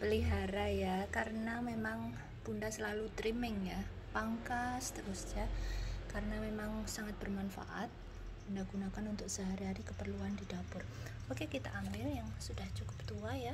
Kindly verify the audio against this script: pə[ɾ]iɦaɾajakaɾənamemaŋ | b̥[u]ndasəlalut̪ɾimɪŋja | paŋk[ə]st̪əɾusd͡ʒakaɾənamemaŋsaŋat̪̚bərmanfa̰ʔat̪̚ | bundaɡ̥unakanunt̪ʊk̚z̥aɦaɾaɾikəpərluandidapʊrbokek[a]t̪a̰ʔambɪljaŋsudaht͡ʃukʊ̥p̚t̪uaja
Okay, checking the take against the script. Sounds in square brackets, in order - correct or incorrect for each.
incorrect: l, correct, incorrect: a, incorrect: i

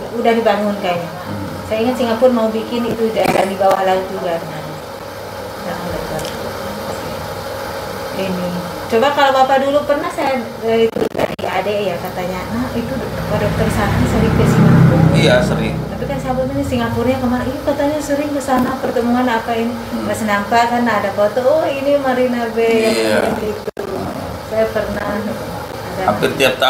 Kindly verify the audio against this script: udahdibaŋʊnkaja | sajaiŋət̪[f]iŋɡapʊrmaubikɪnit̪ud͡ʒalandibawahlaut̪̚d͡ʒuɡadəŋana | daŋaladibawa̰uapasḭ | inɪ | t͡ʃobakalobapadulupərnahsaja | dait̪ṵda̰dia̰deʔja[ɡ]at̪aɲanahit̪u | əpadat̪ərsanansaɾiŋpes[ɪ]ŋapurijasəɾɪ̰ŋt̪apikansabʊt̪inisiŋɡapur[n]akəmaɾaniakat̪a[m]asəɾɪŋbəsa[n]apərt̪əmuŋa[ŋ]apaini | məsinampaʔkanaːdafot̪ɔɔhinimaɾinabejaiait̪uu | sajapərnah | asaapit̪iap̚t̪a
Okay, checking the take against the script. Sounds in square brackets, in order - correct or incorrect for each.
incorrect: s, incorrect: k, incorrect: i, incorrect: ɲ, incorrect: ɲ, correct, incorrect: n

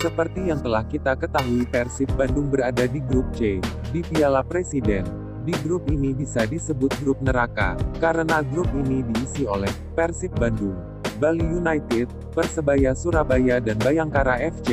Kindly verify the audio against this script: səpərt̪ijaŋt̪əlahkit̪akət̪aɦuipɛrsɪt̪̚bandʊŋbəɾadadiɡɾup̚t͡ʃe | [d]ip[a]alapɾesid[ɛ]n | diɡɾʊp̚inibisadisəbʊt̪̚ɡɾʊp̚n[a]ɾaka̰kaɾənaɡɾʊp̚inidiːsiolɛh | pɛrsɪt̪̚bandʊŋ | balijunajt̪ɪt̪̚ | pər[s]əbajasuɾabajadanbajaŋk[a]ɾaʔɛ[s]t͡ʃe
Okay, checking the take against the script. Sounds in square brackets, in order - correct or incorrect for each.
correct, incorrect: i, correct, incorrect: ə, correct, correct, incorrect: f

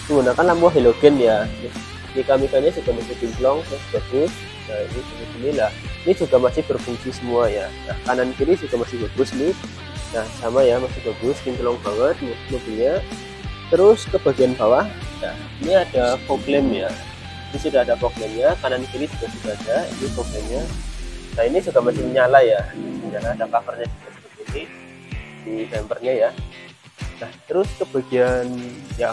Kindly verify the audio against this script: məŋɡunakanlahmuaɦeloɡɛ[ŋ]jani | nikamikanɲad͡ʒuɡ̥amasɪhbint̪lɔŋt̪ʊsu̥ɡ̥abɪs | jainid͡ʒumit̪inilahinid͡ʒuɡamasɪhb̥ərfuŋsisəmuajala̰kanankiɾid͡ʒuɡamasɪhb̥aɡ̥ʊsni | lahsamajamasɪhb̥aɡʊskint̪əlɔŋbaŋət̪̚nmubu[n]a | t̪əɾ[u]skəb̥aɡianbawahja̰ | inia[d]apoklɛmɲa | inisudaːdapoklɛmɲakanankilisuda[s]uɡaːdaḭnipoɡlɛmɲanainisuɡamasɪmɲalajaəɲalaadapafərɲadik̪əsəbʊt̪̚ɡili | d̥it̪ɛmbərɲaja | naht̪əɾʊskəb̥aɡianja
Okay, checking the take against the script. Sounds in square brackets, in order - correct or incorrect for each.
incorrect: n, incorrect: ɲ, incorrect: ʊ, correct, correct

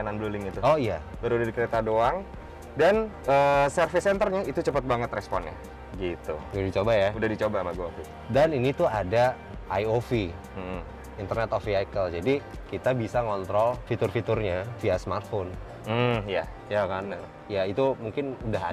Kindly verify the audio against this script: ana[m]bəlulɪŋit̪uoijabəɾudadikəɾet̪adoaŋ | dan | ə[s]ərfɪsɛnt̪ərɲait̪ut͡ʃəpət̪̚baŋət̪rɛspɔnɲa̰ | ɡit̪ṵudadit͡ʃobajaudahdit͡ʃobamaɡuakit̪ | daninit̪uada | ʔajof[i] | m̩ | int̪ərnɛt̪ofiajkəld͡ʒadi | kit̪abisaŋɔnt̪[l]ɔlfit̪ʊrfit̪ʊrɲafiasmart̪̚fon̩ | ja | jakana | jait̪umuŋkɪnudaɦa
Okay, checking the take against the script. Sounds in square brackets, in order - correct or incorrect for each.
incorrect: n, correct, correct, incorrect: ɾ

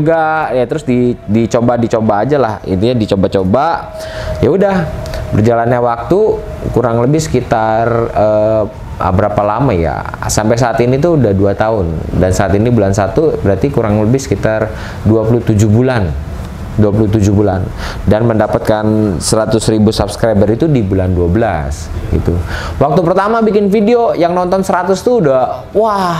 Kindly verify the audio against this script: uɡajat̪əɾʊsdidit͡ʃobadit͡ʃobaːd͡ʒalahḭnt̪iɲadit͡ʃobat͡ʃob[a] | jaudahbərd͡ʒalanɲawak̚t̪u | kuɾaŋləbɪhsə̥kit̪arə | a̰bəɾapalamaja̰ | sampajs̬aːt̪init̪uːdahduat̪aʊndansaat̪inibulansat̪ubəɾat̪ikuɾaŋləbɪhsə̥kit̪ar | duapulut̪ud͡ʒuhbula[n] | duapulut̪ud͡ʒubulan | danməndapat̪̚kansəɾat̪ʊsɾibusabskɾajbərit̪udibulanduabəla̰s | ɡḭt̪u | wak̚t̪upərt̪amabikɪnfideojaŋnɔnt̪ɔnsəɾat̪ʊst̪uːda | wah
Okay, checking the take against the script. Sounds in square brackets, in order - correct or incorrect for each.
correct, correct

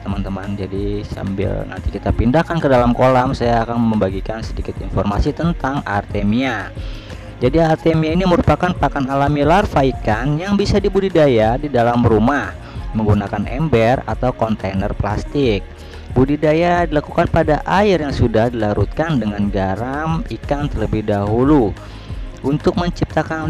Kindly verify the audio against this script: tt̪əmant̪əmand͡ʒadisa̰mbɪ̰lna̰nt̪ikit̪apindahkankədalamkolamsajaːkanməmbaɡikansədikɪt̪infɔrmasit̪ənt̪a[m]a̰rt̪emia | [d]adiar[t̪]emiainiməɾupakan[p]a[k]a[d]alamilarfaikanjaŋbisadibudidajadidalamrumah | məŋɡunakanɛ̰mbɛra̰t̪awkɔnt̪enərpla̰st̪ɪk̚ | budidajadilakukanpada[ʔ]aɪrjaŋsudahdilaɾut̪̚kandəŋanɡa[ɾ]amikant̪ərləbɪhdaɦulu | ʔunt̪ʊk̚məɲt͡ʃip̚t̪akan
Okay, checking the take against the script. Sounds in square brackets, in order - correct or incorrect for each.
incorrect: ŋ, incorrect: d͡ʒ, correct, correct, correct, incorrect: n, correct, correct

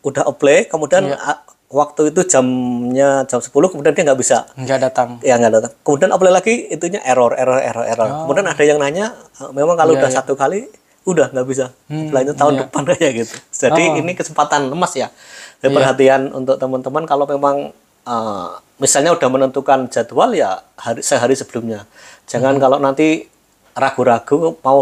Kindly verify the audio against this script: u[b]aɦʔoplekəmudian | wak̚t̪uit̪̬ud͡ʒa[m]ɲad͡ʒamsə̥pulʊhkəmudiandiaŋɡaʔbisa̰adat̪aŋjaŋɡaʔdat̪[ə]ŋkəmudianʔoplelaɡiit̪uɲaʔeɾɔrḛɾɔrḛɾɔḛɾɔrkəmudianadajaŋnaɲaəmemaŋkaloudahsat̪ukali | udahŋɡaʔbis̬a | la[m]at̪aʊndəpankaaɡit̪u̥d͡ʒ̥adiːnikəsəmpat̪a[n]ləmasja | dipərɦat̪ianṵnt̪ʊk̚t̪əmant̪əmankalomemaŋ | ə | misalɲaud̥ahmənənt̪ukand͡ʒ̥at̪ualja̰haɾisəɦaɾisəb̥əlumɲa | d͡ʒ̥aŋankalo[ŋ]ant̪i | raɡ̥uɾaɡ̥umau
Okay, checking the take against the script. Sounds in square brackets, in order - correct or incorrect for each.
incorrect: d, correct, incorrect: a, incorrect: ɲ, correct, incorrect: n

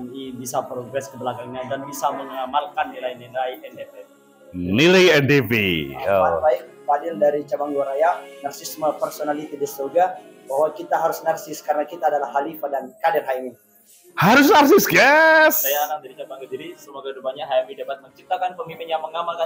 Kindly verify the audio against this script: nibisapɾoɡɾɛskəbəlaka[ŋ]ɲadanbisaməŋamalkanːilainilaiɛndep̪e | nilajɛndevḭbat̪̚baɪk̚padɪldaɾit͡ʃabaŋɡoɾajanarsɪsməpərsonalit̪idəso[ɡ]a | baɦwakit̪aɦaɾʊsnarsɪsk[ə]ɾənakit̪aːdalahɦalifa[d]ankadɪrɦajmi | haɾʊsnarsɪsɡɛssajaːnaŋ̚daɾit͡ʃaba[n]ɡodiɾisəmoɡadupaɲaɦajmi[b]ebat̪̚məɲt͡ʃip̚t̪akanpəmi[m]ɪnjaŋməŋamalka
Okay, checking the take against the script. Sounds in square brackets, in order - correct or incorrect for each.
correct, correct, incorrect: a, correct, incorrect: ŋ, incorrect: d, correct

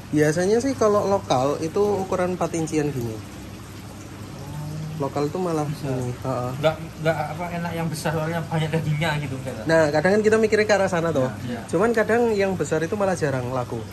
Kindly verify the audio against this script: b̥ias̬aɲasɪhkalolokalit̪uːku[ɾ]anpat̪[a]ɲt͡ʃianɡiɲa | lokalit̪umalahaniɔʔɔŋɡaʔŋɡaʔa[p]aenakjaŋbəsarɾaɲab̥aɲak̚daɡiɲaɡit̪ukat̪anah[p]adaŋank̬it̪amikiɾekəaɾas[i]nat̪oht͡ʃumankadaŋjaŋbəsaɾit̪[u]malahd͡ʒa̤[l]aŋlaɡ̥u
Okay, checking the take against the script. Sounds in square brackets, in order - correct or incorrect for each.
correct, incorrect: i, correct, incorrect: k, incorrect: a, correct, incorrect: ɾ

